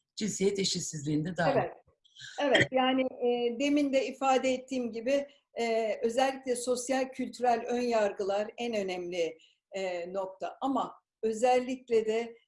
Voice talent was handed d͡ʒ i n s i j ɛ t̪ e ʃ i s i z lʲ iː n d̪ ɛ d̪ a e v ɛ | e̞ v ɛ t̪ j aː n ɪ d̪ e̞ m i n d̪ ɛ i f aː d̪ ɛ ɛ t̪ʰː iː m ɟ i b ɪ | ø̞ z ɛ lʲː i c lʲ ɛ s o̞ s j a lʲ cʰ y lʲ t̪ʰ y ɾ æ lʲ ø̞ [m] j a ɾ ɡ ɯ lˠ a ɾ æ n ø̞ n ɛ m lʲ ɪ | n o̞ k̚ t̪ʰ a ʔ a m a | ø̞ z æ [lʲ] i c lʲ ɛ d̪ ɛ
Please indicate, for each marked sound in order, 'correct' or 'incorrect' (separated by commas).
incorrect, incorrect